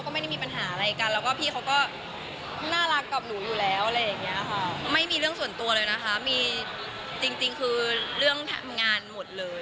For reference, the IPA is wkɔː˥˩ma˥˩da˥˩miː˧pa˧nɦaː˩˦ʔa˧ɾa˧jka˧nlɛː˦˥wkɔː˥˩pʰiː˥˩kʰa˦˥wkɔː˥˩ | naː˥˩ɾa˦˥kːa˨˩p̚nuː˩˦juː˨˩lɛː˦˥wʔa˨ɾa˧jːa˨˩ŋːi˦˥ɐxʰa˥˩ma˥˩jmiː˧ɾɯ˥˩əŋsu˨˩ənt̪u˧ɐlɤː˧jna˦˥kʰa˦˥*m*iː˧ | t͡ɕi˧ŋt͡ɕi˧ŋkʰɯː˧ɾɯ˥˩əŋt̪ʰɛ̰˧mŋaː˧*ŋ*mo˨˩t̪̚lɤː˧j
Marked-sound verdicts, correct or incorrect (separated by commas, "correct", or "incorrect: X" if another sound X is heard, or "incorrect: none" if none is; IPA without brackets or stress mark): correct, incorrect: n